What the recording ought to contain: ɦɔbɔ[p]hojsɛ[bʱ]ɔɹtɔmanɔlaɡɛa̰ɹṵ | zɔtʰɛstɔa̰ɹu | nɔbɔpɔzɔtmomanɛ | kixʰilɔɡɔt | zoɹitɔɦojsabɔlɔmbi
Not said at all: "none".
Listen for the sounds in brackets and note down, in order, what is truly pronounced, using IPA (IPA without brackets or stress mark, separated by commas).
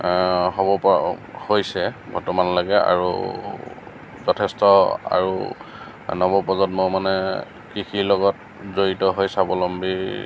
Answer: p, bʱ